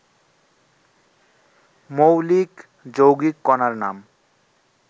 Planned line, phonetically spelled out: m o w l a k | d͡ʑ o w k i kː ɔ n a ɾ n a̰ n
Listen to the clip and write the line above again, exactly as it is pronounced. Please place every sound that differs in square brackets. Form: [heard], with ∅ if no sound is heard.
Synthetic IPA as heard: m o w l [i] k | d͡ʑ o w [ɡ] i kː ɔ n a ɾ n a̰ [m]